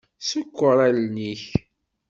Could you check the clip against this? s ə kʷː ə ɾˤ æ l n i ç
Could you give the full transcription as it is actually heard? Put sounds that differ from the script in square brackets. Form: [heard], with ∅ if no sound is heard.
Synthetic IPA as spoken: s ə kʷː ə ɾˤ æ l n i ç

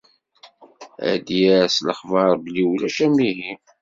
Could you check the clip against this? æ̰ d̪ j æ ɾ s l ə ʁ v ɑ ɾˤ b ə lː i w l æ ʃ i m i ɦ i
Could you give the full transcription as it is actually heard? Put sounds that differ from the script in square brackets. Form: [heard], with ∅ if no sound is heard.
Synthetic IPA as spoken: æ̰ d̪ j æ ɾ s l ə [χ] v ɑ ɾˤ b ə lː i w l æ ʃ [æ] m i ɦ i

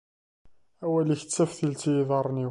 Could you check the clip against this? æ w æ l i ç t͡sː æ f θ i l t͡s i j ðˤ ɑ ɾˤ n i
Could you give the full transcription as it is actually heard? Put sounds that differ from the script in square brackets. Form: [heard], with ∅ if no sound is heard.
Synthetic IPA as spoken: æ w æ l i ç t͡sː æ f θ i l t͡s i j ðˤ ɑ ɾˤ n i

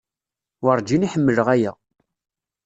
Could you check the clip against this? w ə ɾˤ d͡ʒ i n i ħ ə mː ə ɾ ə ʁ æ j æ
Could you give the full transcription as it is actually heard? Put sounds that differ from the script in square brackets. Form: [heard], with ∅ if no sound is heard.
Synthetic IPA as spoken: w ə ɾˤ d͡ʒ i n i ħ ə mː ə [l] ə ʁ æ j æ

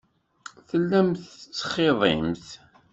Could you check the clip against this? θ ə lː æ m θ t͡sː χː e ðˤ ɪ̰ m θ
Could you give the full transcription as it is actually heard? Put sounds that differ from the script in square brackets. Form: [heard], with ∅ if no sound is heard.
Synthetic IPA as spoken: θ ə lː æ m θ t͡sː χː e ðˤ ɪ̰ m θ

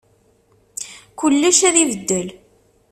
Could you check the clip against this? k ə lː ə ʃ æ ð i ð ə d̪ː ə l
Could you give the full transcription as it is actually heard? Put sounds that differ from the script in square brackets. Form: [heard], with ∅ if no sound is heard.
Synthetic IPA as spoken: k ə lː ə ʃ æ ð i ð ə d̪ː ə l

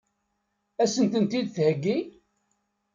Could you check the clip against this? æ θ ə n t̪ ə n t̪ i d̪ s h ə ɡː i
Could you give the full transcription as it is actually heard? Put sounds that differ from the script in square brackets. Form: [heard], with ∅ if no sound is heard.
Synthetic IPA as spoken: æ [s] ə n t̪ ə n t̪ i d̪ [θ] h ə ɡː i

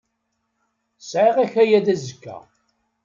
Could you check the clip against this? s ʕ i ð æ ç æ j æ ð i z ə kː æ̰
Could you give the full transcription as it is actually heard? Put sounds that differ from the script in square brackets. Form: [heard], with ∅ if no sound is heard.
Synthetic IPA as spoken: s ʕ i [ʁ] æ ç æ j æ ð [æ] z ə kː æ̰

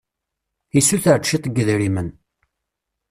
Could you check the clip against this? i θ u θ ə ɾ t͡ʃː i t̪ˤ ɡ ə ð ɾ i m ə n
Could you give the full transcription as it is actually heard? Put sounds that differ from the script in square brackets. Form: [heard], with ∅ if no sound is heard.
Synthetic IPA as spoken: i [s] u θ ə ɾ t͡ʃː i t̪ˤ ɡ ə ð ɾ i m ə n

